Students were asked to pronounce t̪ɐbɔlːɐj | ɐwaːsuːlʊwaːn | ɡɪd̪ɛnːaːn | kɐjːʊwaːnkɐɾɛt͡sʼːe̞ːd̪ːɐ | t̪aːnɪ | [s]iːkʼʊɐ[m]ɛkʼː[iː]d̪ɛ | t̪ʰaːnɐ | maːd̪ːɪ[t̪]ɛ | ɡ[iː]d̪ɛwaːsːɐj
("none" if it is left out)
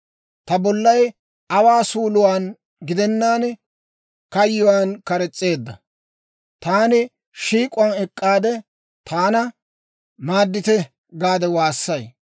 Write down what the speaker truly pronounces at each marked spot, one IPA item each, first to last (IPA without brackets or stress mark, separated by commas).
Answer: ʃ, n, aː, t̪, aː